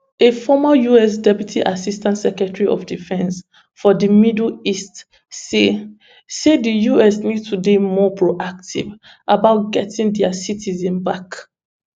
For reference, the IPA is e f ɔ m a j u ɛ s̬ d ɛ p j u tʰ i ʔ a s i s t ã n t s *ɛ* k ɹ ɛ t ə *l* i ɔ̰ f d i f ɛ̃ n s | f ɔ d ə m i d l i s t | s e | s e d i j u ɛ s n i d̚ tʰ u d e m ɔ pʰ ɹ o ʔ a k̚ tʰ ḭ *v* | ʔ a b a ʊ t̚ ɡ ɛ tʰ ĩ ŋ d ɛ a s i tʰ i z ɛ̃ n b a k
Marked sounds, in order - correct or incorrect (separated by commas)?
correct, incorrect, correct